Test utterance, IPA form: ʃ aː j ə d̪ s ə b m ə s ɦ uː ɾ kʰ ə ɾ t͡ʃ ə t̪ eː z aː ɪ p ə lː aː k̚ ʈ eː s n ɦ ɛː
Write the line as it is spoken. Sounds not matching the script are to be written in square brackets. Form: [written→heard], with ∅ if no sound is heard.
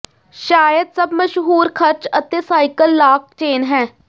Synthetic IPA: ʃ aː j ə d̪ s ə b m ə [s→ʃ] ɦ uː ɾ kʰ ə ɾ t͡ʃ ə t̪ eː [z→s] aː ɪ [p→k] ə lː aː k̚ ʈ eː [s→∅] n ɦ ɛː